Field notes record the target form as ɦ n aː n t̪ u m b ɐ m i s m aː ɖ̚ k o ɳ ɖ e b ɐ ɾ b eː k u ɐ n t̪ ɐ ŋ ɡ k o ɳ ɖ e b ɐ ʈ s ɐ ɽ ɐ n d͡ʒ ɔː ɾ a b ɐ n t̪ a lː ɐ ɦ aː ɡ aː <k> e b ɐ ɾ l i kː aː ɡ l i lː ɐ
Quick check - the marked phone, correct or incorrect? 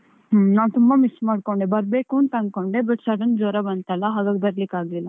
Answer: incorrect